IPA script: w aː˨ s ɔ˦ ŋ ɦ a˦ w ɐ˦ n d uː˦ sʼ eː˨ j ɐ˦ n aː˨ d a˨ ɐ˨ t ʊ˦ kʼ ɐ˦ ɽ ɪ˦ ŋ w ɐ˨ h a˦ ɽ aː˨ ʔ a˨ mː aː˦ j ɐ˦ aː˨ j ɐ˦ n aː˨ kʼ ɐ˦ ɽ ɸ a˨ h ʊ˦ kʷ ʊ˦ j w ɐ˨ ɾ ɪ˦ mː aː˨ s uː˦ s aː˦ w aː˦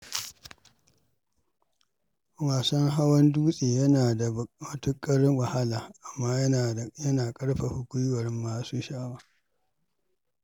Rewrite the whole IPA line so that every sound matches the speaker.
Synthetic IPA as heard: w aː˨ s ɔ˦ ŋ ɦ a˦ w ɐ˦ n d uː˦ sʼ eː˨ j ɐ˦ n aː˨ d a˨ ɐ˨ t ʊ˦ kʼ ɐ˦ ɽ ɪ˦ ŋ w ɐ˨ h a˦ l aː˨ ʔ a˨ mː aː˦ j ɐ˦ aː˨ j ɐ˦ n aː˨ kʼ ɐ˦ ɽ ɸ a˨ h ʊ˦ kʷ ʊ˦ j w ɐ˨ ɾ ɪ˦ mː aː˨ s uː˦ ʃ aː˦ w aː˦